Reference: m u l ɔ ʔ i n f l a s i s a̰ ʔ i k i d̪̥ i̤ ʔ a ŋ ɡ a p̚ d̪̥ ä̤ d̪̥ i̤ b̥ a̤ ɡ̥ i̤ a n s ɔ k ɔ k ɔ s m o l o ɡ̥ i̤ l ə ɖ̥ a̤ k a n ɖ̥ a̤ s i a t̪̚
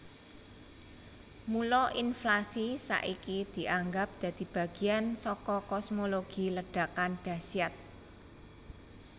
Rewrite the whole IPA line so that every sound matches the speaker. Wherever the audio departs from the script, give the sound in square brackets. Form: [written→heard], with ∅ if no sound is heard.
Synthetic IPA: m u l ɔ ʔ i n f l a s i s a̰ ʔ i k i d̪̥ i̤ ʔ a ŋ ɡ a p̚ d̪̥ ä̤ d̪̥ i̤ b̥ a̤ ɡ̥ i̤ a n s ɔ k ɔ k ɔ s m o l o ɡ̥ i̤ l ə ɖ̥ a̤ k a n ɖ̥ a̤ s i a t̪̚